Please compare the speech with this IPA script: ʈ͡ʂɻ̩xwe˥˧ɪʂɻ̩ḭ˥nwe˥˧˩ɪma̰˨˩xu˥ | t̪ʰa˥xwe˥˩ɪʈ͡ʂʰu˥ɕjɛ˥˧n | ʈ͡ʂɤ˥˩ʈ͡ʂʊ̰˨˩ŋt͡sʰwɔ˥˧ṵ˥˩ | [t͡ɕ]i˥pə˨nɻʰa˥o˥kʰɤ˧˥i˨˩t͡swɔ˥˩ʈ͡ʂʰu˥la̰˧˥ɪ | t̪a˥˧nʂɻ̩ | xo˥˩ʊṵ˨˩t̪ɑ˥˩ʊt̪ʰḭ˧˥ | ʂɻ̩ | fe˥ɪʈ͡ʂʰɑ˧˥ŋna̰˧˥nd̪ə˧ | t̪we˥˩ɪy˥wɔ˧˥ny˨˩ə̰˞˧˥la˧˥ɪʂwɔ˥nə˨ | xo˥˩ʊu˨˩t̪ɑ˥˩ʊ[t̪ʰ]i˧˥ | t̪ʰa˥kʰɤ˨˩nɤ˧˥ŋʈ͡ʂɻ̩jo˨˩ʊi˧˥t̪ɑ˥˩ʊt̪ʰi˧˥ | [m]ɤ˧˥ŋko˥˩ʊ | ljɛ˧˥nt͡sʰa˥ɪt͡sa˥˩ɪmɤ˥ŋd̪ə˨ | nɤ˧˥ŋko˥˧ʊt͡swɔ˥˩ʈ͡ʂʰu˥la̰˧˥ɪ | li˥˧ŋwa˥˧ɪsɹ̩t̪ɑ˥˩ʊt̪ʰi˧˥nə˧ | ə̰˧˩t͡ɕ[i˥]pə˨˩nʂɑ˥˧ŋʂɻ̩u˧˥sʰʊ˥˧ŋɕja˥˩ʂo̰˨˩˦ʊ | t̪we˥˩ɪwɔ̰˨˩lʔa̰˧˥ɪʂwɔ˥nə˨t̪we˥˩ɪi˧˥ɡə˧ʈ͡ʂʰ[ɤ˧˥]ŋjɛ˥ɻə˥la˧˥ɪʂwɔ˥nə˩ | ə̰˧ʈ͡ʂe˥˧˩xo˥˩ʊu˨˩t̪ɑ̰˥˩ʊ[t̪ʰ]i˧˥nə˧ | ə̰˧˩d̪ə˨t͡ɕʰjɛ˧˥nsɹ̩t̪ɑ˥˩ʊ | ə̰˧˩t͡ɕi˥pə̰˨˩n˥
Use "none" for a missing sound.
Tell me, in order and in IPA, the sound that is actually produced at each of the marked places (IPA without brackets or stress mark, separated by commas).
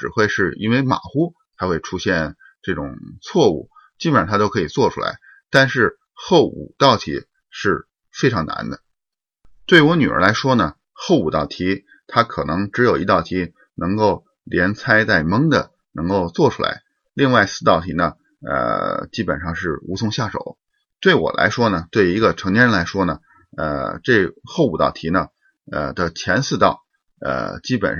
t͡ɕ, t̪ʰ, n, i˥, ɤ˧˥, t̪ʰ